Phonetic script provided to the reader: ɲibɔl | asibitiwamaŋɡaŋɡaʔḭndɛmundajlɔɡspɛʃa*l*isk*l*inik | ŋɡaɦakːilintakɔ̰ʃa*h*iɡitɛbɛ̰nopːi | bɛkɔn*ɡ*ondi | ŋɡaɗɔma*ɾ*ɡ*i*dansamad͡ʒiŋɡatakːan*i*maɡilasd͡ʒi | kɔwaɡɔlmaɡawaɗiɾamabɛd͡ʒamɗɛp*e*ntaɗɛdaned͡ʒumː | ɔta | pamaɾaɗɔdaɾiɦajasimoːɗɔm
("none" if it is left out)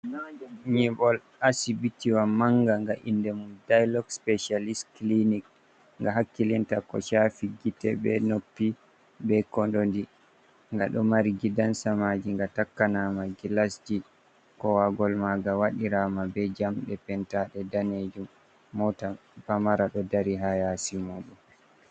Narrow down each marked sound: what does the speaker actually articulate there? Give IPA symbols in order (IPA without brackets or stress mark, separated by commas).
l, l, f, d, ɾ, i, a, ɛ